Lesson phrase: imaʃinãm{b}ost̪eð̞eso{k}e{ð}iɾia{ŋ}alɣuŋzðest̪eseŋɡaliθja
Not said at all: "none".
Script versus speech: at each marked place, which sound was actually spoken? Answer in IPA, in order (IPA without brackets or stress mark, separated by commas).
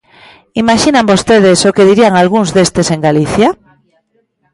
b, k, ð, ŋ